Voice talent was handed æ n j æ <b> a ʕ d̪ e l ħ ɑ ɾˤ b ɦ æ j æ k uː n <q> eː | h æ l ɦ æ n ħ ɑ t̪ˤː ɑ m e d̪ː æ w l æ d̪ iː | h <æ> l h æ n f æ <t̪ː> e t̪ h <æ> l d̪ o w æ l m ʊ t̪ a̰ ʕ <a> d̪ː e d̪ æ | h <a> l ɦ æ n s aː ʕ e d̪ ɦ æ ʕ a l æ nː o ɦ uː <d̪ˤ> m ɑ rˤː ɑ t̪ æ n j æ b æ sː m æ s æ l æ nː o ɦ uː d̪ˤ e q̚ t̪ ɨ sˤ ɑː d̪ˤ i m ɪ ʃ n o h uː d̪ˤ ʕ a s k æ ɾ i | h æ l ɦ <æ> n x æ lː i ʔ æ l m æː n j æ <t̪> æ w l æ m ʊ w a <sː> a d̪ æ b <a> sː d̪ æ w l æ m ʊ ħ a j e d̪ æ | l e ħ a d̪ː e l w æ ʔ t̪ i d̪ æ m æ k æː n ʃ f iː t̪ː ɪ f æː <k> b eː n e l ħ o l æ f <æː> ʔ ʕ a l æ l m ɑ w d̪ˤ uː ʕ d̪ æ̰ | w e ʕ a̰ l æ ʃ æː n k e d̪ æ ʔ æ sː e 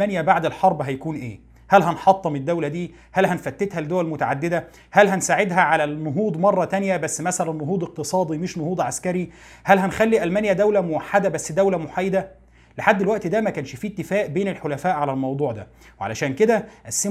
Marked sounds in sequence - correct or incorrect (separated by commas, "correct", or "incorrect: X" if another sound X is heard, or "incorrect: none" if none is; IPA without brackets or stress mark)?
correct, incorrect: ʔ, correct, correct, correct, correct, incorrect: æ, correct, correct, incorrect: d̪, incorrect: ħː, incorrect: æ, incorrect: ʔ, correct